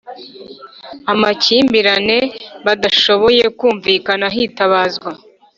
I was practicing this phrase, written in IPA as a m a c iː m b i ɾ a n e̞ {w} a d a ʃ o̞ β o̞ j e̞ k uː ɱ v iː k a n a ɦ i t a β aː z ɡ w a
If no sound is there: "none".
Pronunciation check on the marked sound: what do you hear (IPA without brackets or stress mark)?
β